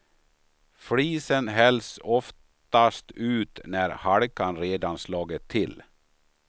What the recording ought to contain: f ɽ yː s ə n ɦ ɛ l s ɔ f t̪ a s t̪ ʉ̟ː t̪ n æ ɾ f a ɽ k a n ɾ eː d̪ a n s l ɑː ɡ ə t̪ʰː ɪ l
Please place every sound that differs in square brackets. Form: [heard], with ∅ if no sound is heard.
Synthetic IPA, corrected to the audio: f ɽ [iː] s ə n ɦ ɛ l s ɔ f t̪ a s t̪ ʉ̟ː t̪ n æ ɾ [h] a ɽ k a n ɾ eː d̪ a n s l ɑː ɡ ə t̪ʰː ɪ l